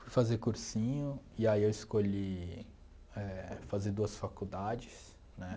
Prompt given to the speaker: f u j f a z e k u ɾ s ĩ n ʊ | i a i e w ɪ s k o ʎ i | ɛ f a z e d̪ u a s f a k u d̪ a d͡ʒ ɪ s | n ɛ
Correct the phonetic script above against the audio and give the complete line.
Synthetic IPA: f u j f a z e k u ɾ s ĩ ɲ ʊ | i a i e w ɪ s k o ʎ i | ɛ f a z e d̪ u ɐ s f a k u d̪ a d͡ʒ ɪ s | n ɛ